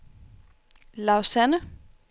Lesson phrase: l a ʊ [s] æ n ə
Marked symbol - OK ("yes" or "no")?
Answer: yes